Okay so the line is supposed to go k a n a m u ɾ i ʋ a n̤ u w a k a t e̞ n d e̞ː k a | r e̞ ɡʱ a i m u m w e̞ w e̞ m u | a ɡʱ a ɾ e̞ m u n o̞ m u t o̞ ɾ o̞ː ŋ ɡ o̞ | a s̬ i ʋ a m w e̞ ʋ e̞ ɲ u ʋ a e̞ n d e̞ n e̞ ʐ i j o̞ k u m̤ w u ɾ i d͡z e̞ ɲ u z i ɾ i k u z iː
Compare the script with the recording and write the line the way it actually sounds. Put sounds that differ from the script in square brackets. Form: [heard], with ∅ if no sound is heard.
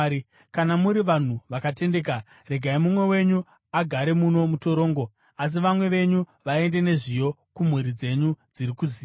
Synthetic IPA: k a n a m u ɾ i ʋ a n̤ u [ʋ] a k a t e̞ n d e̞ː k a | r e̞ ɡʱ a i m u m w e̞ w e̞ [ɲ] u | a ɡʱ a ɾ e̞ m u n o̞ m u t o̞ ɾ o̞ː ŋ ɡ o̞ | a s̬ i ʋ a m w e̞ ʋ e̞ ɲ u ʋ a e̞ n d e̞ n e̞ ʐ i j o̞ k u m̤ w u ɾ i d͡z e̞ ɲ u [d͡z] i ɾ i k u z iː